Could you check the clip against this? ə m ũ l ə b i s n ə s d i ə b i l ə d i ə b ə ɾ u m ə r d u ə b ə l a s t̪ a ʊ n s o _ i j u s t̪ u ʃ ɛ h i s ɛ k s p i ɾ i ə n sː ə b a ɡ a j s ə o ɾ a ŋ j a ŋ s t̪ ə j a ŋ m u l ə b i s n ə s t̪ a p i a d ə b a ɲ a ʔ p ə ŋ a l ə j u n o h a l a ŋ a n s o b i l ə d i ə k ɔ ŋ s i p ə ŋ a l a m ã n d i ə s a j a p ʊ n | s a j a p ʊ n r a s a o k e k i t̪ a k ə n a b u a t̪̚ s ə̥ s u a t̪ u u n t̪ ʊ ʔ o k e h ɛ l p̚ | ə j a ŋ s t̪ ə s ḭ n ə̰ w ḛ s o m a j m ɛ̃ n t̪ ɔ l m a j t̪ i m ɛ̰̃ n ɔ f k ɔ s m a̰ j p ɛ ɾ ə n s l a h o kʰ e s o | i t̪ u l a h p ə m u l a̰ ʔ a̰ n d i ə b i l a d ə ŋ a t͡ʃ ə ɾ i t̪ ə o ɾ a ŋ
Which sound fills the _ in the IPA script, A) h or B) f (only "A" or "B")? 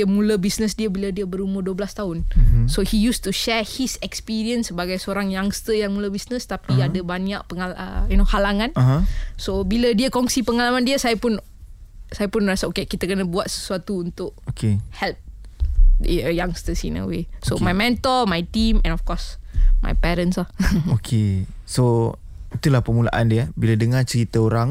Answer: A